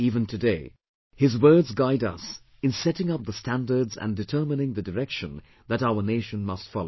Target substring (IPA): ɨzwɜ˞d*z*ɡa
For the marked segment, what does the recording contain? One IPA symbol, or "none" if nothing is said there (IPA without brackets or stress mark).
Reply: z